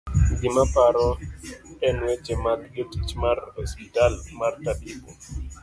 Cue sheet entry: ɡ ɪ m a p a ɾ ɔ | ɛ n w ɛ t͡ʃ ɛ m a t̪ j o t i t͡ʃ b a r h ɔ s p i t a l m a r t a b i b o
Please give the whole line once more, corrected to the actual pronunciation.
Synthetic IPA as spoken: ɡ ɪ m a p a ɾ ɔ | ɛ n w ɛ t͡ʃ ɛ m a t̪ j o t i t͡ʃ m a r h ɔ s p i t a l m a r t a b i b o